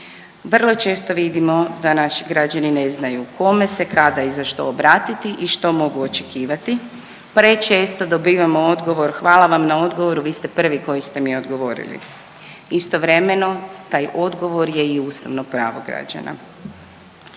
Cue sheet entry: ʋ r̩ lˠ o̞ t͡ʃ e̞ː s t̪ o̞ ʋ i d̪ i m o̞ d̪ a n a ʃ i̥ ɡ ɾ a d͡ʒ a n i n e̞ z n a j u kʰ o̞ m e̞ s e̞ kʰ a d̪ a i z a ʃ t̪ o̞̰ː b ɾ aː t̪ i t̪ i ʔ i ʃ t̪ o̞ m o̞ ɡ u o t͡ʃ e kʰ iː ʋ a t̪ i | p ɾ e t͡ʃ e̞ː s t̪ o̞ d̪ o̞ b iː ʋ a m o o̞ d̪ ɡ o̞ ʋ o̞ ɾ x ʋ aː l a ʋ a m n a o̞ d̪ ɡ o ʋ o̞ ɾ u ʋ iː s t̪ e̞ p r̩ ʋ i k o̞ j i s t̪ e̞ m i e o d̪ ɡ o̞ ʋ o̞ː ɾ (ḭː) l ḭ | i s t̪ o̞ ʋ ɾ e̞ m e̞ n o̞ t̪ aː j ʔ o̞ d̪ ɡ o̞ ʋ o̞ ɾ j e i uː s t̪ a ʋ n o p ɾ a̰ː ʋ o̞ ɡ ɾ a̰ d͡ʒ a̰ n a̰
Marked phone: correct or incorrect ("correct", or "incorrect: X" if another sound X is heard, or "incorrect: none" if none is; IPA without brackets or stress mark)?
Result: incorrect: ḭ